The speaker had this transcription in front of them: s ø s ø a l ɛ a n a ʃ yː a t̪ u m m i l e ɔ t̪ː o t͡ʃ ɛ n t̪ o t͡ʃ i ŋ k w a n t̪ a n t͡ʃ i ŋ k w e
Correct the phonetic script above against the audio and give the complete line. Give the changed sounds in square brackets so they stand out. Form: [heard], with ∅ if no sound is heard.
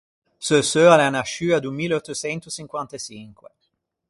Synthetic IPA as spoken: s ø s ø a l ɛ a n a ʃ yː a [d̪] u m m i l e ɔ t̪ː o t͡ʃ ɛ n t̪ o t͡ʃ i ŋ k w a n t̪ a [∅] t͡ʃ i ŋ k w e

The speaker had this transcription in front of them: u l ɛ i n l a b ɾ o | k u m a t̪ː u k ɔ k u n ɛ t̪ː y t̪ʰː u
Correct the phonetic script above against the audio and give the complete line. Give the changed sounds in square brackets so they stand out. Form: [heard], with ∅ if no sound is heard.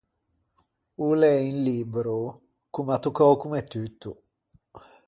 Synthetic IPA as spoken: u l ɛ i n l [i] b ɾ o | k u m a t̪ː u k ɔ k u [m] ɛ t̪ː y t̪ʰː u

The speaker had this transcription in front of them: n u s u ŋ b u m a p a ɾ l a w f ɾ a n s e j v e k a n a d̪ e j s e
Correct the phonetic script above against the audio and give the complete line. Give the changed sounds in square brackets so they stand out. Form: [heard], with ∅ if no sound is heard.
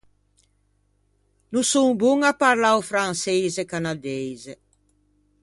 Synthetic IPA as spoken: n u s u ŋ b u [ŋ] a p a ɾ l a w f ɾ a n s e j [z] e k a n a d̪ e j [z] e

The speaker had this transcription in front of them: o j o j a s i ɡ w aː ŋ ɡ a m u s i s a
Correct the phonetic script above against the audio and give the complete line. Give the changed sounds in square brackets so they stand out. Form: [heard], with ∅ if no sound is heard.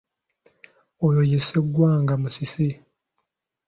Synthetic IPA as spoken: o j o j [e] s [e] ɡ w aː ŋ ɡ a m u s i s [i]

